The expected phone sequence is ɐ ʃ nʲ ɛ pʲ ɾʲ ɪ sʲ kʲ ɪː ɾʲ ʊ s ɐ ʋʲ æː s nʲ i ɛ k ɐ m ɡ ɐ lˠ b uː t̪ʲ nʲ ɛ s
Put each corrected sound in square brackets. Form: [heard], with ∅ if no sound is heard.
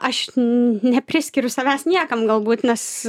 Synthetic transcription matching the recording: ɐ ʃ nʲ ɛ pʲ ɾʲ ɪ sʲ kʲ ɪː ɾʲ ʊ s ɐ ʋʲ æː s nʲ i ɛ k ɐ m ɡ ɐ lˠ b uː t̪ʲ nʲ ɛ s